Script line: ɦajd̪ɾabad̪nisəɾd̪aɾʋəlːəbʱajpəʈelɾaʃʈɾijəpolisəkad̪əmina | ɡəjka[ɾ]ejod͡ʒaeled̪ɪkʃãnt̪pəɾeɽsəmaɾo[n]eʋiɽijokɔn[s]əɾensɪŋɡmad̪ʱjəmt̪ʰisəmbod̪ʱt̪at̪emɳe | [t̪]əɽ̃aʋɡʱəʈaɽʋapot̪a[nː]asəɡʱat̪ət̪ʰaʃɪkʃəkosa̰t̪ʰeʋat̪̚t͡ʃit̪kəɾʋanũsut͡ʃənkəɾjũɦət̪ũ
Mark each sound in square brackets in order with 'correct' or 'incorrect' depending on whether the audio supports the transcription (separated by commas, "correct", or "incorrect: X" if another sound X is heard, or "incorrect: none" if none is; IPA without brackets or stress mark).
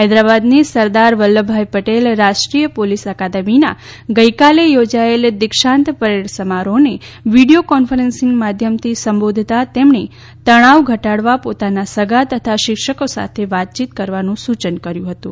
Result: incorrect: l, correct, incorrect: f, correct, incorrect: n